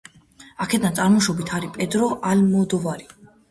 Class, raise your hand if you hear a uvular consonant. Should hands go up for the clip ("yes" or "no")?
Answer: no